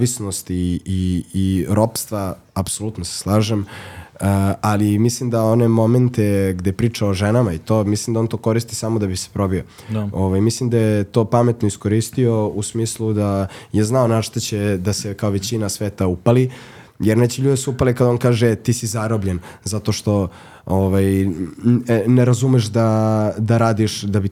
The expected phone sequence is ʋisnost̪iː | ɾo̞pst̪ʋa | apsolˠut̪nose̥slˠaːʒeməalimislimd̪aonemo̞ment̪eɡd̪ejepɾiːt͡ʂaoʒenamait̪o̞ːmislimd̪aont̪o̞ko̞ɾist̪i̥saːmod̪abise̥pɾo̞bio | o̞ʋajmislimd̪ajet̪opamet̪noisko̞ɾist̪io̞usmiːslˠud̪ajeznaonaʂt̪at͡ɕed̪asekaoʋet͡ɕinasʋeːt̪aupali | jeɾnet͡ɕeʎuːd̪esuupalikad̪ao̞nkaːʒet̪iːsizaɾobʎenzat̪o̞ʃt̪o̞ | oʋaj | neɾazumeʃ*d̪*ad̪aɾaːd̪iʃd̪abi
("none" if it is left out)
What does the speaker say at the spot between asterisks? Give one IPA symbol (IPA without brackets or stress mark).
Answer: d̪